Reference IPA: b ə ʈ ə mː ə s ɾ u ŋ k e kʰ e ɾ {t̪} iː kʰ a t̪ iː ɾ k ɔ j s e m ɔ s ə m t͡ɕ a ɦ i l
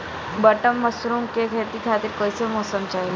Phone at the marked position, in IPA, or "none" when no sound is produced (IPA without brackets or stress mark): t̪